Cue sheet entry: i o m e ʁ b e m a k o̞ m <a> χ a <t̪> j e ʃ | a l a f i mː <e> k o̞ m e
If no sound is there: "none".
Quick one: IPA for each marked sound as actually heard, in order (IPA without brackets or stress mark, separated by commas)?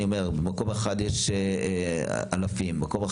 e, d̪, a